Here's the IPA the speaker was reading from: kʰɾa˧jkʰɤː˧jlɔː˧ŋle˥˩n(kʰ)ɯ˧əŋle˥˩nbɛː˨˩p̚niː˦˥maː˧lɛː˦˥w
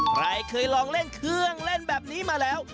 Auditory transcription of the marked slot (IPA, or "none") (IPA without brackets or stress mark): kʰ